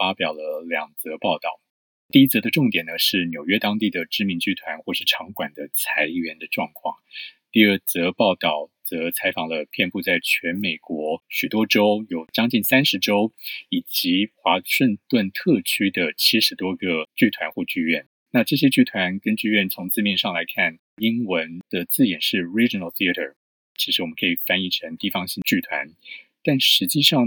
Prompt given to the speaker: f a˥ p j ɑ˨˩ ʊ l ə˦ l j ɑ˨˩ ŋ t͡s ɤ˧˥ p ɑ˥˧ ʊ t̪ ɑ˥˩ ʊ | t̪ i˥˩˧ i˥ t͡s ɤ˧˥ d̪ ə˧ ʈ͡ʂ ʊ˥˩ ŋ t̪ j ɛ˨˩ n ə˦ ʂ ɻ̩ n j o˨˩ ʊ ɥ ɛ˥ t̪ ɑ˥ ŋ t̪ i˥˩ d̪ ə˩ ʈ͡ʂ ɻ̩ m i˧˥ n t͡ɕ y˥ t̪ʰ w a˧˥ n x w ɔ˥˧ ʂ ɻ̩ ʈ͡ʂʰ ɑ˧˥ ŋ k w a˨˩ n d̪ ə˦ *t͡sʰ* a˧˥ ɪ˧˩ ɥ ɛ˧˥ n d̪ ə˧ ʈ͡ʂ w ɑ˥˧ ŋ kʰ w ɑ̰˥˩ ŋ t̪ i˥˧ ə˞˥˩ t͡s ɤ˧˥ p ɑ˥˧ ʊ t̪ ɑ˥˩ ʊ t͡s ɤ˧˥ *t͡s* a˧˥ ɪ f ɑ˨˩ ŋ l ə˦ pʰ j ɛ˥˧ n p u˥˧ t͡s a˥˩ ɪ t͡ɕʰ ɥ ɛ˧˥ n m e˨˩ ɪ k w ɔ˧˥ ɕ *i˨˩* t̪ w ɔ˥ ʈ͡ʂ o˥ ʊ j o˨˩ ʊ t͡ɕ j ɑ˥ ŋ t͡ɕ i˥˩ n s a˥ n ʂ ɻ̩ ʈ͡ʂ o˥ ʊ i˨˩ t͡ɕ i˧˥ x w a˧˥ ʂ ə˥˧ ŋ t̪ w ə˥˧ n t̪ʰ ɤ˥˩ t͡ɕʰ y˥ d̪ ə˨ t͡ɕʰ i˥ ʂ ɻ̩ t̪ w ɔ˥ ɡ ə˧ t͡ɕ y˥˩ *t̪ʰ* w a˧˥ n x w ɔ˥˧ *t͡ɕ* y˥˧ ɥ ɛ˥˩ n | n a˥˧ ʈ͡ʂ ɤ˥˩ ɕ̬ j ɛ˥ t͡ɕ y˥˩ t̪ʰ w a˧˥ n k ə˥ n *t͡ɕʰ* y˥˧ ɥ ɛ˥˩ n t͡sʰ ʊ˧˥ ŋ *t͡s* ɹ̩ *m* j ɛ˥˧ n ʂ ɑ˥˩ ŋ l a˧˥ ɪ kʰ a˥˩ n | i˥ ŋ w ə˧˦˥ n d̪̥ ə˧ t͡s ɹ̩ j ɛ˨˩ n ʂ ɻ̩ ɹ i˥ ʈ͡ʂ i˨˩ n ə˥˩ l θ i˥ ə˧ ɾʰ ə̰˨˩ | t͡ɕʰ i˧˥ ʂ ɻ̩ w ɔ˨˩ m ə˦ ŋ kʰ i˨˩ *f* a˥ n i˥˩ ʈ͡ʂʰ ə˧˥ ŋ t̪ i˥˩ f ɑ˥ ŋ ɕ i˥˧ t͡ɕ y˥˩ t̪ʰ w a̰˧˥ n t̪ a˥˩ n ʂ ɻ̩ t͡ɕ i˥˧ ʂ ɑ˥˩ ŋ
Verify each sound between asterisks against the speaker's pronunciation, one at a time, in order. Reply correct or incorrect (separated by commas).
correct, incorrect, incorrect, correct, correct, incorrect, correct, correct, correct